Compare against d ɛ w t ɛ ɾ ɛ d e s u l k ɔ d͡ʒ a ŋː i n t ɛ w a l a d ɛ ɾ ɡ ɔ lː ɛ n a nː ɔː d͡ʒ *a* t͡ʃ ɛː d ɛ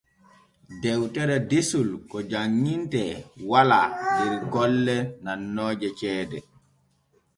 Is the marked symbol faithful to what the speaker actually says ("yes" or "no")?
no